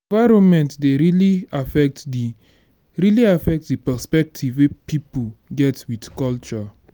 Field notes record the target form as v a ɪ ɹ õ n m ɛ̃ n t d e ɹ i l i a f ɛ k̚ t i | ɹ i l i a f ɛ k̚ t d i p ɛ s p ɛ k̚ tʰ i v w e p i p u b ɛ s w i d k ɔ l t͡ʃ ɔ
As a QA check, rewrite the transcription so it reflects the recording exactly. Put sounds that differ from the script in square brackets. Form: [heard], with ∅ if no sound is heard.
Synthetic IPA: v a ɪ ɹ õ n m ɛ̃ n t d e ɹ i l i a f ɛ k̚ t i | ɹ i l i a f ɛ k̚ t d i p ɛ s p ɛ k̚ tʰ i v w e p i p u [ɡ] ɛ [t] w i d k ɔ l t͡ʃ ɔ